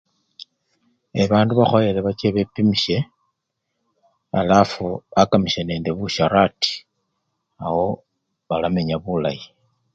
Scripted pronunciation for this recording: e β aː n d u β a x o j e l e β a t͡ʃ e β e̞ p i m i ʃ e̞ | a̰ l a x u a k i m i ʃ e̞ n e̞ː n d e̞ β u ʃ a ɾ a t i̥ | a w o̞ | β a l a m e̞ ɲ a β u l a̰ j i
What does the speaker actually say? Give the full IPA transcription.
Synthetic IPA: e β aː n d u β a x o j e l e β a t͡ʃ e β e̞ p i m i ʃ e̞ | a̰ l a f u a k a m i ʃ e̞ n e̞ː n d e̞ β u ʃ a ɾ a t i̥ | a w o̞ | β a l a m e̞ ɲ a β u l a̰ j i